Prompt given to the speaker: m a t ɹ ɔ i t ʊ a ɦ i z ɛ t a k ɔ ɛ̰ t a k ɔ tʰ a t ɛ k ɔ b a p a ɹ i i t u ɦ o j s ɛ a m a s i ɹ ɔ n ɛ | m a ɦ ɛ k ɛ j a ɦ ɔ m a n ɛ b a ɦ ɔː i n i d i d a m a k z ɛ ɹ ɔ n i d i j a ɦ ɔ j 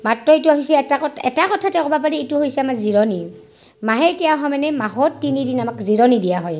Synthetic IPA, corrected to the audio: m a t ɹ ɔ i t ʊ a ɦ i s ɛ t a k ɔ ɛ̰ t a k ɔ tʰ a t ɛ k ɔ b a p a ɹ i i t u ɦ o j s ɛ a m a z i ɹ ɔ n i | m a ɦ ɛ k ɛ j a ɦ ɔ m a n ɛ m a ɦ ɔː i n i d i n a m a k z i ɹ ɔ n i d i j a ɦ ɔ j